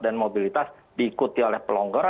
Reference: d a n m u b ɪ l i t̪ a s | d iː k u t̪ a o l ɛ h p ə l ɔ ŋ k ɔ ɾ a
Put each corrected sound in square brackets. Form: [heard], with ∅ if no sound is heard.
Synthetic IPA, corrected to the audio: d a n m [o] b [i] l i t̪ a s | d iː k u t̪ [i] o l ɛ h p ə l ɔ ŋ [ɡ] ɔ ɾ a